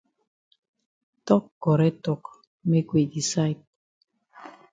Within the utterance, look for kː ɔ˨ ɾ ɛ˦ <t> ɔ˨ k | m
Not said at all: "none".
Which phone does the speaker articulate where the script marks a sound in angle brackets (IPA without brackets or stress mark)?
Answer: t